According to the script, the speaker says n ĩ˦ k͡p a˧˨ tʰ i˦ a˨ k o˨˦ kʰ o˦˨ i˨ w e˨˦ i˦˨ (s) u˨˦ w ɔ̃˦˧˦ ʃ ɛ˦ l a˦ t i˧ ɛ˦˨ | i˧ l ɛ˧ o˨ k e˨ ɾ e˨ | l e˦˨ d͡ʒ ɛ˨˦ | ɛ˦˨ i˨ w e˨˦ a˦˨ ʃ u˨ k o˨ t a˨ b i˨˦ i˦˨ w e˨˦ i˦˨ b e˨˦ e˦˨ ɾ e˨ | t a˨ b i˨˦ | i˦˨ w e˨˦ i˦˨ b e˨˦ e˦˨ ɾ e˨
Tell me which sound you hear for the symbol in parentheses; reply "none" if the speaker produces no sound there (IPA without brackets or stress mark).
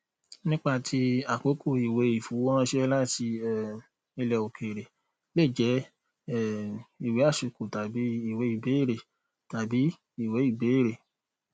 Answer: f